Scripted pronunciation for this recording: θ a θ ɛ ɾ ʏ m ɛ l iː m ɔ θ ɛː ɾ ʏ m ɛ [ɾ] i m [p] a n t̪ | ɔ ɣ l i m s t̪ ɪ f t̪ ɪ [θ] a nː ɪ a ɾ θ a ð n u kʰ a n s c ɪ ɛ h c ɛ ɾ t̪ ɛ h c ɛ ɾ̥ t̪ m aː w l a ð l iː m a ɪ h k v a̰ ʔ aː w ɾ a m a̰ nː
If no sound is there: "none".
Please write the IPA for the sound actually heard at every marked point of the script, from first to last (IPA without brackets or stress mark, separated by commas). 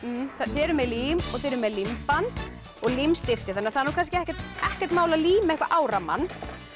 l, p, θ